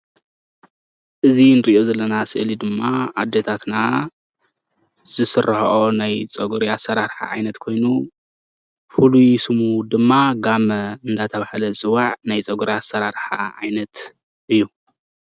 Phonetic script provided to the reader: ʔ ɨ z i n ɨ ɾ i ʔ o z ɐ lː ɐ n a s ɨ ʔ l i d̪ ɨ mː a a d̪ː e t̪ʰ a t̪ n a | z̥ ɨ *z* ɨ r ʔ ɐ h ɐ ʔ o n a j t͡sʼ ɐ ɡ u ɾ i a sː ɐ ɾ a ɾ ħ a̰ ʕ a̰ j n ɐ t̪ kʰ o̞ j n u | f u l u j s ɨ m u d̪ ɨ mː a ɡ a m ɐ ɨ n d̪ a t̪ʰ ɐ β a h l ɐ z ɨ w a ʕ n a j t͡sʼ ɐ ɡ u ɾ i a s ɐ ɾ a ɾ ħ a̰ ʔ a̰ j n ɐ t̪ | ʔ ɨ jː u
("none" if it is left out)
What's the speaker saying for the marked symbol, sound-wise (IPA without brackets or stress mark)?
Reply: s